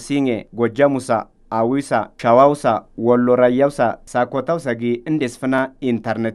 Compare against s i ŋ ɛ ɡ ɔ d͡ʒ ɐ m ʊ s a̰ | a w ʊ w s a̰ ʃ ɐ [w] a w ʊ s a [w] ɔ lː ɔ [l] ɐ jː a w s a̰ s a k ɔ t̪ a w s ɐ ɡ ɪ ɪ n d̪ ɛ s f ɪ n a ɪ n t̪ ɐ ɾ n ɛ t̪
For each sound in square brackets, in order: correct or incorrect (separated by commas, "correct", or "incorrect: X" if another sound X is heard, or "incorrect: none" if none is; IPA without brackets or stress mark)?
correct, correct, incorrect: ɾ